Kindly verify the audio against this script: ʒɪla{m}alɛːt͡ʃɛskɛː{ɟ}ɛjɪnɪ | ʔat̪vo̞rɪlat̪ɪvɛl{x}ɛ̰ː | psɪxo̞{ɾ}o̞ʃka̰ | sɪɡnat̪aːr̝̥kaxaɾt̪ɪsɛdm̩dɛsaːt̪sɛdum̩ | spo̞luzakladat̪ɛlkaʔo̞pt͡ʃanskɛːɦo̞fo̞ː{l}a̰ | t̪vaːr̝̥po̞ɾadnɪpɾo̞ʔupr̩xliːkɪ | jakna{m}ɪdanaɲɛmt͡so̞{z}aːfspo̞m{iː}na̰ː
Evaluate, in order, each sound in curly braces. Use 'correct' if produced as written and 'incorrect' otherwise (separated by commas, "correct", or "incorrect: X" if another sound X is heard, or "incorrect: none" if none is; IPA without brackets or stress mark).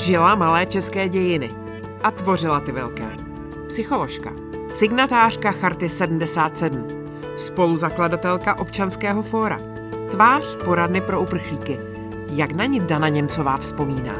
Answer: correct, correct, incorrect: k, incorrect: l, incorrect: ɾ, incorrect: ɲ, incorrect: v, correct